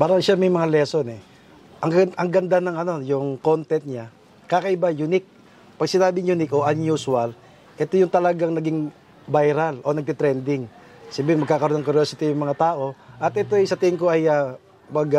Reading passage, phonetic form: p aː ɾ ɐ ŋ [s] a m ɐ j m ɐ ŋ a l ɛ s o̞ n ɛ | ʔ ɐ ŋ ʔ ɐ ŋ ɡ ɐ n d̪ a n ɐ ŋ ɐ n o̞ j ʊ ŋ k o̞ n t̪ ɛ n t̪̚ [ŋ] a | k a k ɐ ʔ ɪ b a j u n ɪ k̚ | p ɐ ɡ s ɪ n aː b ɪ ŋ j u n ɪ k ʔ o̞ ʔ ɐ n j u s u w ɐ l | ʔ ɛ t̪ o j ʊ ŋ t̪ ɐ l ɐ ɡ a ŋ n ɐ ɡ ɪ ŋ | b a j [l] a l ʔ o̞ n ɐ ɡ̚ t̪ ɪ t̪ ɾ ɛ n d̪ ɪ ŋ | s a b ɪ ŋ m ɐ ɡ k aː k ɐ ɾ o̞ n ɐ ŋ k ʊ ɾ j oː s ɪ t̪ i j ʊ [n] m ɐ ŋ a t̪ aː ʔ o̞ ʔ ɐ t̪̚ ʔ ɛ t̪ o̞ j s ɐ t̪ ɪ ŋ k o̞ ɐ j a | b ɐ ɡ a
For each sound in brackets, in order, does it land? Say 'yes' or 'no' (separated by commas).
no, no, no, no